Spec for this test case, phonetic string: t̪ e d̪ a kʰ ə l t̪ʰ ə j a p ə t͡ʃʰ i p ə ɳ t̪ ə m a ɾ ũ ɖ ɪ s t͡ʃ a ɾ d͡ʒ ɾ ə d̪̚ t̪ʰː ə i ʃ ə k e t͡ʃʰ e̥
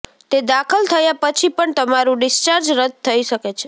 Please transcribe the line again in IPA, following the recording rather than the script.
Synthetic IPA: t̪ e d̪ a kʰ ə l t̪ʰ ə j a p ə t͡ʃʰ i p ə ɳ t̪ ə m a ɾ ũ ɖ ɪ s t͡ʃ a ɾ d͡ʒ ɾ ə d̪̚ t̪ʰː ə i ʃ ə k e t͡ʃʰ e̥